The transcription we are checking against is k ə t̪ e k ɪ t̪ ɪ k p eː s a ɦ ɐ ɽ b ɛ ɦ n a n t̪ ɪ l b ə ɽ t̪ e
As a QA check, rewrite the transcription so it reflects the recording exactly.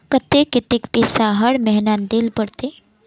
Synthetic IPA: k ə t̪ e k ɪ t̪ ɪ k p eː s a ɦ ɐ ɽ m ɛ ɦ n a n d̪ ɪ l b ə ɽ t̪ e